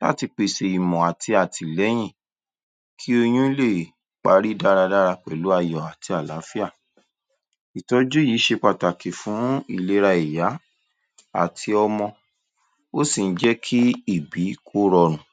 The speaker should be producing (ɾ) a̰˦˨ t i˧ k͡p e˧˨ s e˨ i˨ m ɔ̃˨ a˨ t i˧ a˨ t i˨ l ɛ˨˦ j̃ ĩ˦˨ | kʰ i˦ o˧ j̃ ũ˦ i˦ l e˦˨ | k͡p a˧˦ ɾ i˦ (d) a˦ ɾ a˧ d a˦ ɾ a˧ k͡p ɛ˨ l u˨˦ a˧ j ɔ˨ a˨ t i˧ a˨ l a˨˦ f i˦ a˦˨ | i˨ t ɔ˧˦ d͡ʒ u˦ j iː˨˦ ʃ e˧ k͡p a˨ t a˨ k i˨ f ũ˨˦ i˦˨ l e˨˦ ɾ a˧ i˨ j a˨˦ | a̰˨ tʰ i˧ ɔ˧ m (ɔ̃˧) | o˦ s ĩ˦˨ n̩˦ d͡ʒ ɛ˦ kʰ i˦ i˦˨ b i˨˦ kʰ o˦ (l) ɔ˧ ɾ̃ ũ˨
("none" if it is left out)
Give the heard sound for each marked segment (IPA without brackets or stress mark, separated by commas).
l, d, ɔ̃˧, ɾ